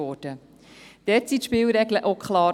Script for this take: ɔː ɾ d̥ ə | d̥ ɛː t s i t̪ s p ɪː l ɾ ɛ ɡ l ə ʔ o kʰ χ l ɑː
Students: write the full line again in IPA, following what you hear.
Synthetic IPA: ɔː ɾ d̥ ə | d̥ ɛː t s i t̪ ʃ p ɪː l ɾ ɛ ɡ l ə ʔ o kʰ χ l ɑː